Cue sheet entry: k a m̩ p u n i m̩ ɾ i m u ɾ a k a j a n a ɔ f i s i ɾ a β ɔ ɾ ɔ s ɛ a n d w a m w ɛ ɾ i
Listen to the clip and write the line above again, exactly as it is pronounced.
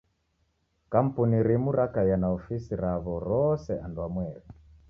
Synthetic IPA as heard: k a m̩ p u n i ɾ i m u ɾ a k a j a n a ɔ f i s i ɾ a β ɔ ɾ ɔ s ɛ a n d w a m w ɛ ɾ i